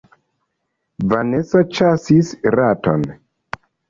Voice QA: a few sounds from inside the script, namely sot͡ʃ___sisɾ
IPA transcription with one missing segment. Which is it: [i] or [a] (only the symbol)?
a